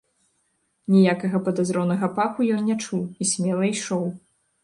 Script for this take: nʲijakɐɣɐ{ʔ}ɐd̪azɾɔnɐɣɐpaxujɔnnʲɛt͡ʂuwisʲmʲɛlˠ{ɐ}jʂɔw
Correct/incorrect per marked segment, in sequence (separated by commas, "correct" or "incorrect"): incorrect, correct